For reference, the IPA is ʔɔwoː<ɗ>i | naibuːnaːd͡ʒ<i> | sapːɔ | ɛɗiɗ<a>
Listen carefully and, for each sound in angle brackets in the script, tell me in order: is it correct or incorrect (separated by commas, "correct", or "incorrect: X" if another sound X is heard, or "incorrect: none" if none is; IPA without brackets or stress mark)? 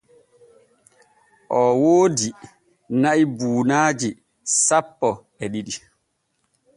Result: incorrect: d, correct, incorrect: i